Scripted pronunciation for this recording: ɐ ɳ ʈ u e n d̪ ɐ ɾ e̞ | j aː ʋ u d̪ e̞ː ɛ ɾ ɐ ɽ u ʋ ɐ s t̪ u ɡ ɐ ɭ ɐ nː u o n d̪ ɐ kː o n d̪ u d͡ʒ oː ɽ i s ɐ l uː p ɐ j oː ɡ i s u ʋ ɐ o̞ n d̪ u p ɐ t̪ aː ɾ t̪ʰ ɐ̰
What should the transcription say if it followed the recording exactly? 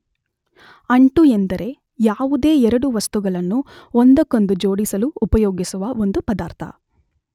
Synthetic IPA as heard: ɐ ɳ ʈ u e n d̪ ɐ ɾ e̞ | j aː ʋ u d̪ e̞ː ɛ ɾ ɐ ɽ u ʋ ɐ s t̪ u ɡ ɐ ɭ ɐ nː u o n d̪ ɐ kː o n d̪ u d͡ʒ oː ɽ i s ɐ l uː p ɐ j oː ɡ i s u ʋ ɐ o̞ n d̪ u p ɐ d̪ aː ɾ t̪ʰ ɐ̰